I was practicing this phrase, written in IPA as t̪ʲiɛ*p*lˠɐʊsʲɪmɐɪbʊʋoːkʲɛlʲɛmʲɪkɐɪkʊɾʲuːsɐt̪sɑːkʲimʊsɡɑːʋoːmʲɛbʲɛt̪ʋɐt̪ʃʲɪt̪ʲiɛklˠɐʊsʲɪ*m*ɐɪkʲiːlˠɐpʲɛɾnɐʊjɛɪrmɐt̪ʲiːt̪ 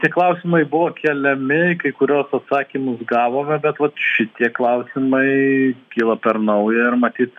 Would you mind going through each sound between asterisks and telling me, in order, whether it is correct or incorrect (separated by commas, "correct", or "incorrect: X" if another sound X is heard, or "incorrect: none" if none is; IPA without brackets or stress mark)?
incorrect: k, correct